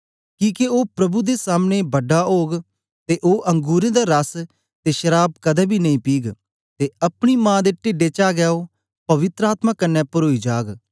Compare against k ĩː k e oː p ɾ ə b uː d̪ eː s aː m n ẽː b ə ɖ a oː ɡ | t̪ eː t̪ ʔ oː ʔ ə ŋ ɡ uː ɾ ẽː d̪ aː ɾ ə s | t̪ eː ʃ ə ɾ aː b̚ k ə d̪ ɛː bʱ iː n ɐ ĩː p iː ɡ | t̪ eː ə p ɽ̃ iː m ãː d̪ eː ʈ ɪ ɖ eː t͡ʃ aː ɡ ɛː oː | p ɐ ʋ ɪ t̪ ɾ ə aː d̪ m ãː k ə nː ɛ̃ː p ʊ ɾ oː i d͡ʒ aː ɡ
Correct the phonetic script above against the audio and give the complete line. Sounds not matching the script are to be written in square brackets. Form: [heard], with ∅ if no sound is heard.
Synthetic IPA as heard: k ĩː k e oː p ɾ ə b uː d̪ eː s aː m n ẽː b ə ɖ a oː ɡ | t̪ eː [∅] ʔ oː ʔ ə ŋ ɡ uː ɾ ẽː d̪ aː ɾ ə s | t̪ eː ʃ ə ɾ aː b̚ k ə d̪ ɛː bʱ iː n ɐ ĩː p iː ɡ | t̪ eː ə p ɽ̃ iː m ãː d̪ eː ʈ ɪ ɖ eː t͡ʃ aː ɡ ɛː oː | p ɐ ʋ ɪ t̪ ɾ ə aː [t̪] m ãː k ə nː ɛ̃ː p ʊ ɾ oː i d͡ʒ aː ɡ

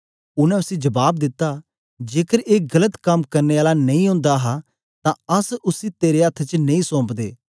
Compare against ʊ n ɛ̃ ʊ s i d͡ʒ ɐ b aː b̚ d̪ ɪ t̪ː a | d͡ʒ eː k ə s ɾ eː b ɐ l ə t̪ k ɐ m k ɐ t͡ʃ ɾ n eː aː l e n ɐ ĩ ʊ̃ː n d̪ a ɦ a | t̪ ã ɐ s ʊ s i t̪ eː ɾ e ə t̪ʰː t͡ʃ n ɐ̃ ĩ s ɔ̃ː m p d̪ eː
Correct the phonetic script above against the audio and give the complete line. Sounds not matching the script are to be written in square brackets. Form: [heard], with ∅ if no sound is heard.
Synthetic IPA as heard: ʊ n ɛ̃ ʊ s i d͡ʒ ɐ b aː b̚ d̪ ɪ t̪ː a | d͡ʒ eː k ə [∅] ɾ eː [ɡ] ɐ l ə t̪ k ɐ m k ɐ [∅] ɾ n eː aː l [a] n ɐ ĩ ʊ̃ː n d̪ a ɦ a | t̪ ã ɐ s ʊ s i t̪ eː ɾ e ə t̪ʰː t͡ʃ n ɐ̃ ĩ s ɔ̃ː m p d̪ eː

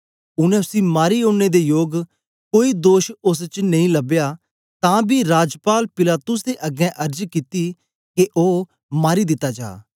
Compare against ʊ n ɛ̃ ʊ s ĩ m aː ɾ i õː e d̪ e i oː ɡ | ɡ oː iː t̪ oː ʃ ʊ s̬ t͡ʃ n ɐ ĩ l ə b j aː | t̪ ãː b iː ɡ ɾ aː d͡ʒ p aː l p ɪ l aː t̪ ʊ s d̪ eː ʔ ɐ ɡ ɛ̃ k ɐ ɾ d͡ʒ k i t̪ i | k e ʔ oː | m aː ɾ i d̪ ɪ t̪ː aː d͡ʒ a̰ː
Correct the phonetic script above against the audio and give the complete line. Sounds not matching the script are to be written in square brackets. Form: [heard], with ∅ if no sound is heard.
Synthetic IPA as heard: ʊ n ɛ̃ ʊ s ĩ m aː ɾ i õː e d̪ e [j] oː ɡ | [k] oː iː [d̪] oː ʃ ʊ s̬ t͡ʃ n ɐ ĩ l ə b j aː | t̪ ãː b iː [∅] ɾ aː d͡ʒ p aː l p ɪ l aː t̪ ʊ s d̪ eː ʔ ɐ ɡ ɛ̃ [ʔ] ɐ ɾ d͡ʒ k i t̪ i | k e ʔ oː | m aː ɾ i d̪ ɪ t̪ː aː d͡ʒ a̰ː

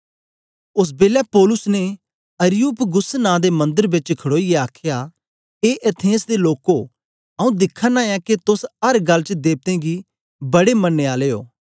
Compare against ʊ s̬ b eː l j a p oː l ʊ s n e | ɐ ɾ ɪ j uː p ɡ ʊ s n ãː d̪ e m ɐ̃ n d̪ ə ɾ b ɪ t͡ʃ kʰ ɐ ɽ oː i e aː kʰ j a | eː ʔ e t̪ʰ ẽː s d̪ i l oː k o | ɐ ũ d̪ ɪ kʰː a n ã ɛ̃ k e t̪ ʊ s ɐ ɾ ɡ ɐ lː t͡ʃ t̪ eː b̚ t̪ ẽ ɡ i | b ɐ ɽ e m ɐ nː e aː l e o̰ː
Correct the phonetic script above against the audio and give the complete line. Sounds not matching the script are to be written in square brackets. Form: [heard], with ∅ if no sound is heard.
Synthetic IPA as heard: ʊ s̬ b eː l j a p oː l ʊ s n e | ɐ ɾ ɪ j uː p ɡ ʊ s n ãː d̪ e m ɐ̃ n d̪ ə ɾ b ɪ t͡ʃ kʰ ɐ ɽ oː i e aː kʰ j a | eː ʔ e t̪ʰ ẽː s d̪ [e] l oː k o | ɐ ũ d̪ ɪ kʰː a n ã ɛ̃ k e t̪ ʊ s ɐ ɾ ɡ ɐ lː t͡ʃ [d̪] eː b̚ t̪ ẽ ɡ i | b ɐ ɽ e m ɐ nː e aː l e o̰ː

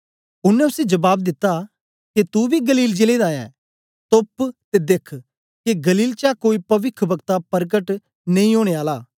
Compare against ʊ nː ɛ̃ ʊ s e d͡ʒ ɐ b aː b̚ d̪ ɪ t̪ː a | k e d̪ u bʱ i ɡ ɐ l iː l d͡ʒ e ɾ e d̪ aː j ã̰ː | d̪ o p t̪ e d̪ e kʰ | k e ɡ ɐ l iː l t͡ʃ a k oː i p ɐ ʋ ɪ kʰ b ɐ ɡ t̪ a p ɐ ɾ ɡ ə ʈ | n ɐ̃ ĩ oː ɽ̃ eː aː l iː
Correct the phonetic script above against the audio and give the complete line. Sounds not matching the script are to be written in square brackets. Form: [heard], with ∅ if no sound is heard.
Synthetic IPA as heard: ʊ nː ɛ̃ ʊ s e d͡ʒ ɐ b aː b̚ d̪ ɪ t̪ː a | k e [t̪] u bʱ i ɡ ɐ l iː l d͡ʒ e [l] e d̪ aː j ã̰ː | [t̪] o p t̪ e d̪ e kʰ | k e ɡ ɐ l iː l t͡ʃ a k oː i p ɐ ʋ ɪ kʰ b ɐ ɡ t̪ a p ɐ ɾ ɡ ə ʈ | n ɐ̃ ĩ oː ɽ̃ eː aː l [aː]

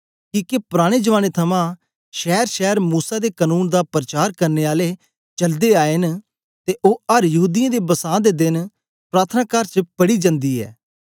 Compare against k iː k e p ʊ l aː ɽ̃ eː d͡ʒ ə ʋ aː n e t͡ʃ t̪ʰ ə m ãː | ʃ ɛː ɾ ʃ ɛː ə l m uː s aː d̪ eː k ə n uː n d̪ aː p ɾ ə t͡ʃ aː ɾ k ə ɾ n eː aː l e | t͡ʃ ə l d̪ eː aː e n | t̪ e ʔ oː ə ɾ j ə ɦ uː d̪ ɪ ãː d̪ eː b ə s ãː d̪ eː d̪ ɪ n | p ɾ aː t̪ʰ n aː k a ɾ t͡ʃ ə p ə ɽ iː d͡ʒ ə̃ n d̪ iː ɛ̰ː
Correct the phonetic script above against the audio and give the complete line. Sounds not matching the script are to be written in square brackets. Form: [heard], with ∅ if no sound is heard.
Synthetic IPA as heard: k iː k e p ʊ [ɾ] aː ɽ̃ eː d͡ʒ ə ʋ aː n e [∅] t̪ʰ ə m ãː | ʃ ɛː ɾ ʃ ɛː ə [ɾ] m uː s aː d̪ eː k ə n uː n d̪ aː p ɾ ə t͡ʃ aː ɾ k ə ɾ n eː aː l e | t͡ʃ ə l d̪ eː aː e n | t̪ e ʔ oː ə ɾ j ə ɦ uː d̪ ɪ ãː d̪ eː b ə s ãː d̪ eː d̪ ɪ n | p ɾ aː t̪ʰ n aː k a ɾ t͡ʃ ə p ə ɽ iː d͡ʒ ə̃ n d̪ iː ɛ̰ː

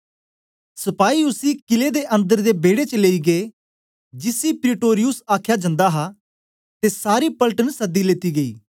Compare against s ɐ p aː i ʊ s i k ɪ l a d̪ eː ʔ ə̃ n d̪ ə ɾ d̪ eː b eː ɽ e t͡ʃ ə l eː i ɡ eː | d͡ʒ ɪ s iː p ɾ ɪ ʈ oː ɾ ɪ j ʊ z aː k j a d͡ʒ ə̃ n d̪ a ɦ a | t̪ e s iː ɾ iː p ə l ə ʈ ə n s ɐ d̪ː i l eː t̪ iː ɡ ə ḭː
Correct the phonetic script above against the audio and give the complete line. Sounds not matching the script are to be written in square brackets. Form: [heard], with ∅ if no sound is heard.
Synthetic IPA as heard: s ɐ p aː i ʊ s i k ɪ l [e] d̪ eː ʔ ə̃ n d̪ ə ɾ d̪ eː b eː ɽ e t͡ʃ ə l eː i ɡ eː | d͡ʒ ɪ s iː p ɾ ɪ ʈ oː ɾ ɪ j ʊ [s] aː [kʰ] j a d͡ʒ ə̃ n d̪ a ɦ a | t̪ e s [aː] ɾ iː p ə l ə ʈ ə n s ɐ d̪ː i l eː t̪ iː ɡ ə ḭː

